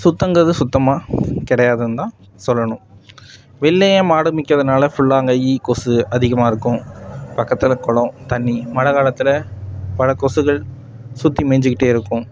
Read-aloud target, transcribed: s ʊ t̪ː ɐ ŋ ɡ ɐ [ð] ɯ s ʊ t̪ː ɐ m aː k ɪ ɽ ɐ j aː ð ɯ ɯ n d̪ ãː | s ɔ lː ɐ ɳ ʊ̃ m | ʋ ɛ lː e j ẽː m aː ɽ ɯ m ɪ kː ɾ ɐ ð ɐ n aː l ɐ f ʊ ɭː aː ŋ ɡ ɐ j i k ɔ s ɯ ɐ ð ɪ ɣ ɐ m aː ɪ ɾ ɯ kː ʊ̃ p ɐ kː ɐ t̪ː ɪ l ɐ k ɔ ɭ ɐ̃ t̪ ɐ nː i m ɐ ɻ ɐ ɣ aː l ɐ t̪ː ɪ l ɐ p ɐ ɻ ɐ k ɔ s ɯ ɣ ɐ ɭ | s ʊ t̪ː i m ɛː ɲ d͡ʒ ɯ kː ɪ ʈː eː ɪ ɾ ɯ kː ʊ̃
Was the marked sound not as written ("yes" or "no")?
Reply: no